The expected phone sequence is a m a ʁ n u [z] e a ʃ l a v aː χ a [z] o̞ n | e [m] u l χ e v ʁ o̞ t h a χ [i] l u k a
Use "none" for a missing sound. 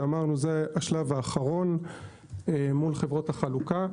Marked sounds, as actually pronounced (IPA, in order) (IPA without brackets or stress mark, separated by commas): z, ʁ, m, a